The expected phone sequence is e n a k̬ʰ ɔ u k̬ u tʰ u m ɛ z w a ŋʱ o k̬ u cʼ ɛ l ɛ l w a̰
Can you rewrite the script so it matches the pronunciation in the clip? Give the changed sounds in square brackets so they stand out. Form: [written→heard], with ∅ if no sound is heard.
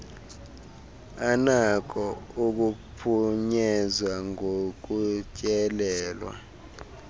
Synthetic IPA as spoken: [e→a] n a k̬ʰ ɔ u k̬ u [tʰ→pʰ] u [m→ɲ] ɛ z w a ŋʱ o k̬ u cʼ ɛ l [ɛ→ɛː] l w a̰